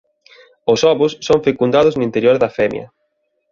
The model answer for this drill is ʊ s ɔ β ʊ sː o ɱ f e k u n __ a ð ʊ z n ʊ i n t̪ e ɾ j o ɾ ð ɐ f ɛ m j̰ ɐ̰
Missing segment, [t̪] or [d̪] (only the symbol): d̪